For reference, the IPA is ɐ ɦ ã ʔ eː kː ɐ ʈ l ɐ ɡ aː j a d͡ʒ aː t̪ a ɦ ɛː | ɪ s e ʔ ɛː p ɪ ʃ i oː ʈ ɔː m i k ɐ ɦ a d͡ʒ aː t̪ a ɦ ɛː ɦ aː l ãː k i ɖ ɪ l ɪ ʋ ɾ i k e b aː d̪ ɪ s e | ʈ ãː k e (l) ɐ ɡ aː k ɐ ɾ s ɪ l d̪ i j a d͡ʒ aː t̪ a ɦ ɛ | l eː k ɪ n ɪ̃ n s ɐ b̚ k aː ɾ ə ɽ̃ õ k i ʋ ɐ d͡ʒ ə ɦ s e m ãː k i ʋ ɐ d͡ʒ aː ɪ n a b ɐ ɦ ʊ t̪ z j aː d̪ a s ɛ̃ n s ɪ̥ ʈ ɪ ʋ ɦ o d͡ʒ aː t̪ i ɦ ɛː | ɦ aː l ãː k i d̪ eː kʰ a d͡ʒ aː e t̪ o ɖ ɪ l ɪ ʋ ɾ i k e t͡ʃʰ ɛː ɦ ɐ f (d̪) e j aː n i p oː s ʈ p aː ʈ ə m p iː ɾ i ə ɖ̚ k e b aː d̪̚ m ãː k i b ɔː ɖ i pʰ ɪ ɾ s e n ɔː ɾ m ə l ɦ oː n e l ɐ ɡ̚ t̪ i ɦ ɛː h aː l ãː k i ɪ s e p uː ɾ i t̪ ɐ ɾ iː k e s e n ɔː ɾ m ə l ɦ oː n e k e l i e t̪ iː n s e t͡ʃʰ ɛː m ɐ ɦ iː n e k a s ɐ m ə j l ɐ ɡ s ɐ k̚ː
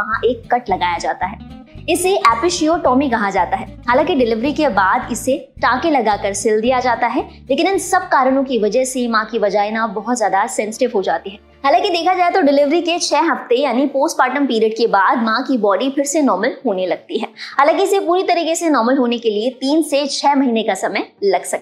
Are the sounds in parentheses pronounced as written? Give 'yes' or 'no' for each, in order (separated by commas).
yes, no